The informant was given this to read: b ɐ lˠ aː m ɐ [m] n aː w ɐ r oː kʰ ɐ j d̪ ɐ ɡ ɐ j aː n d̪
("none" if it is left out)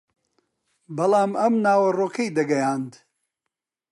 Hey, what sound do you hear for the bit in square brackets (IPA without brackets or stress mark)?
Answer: m